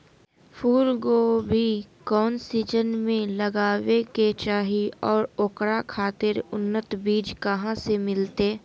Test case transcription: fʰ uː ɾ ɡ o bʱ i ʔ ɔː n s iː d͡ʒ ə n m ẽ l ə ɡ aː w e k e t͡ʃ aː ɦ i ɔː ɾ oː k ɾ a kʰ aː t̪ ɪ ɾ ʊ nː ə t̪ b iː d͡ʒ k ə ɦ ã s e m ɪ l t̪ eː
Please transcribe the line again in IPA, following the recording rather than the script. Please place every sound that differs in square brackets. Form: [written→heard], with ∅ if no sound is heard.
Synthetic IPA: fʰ uː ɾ ɡ o bʱ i [ʔ→k] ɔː n s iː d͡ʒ ə n m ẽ l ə ɡ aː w e k e t͡ʃ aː ɦ i ɔː ɾ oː k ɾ a kʰ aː t̪ ɪ ɾ ʊ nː ə t̪ b iː d͡ʒ k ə ɦ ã s e m ɪ l t̪ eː